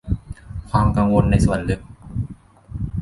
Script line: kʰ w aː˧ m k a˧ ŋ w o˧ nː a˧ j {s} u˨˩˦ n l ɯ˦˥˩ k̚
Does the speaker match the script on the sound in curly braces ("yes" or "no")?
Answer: yes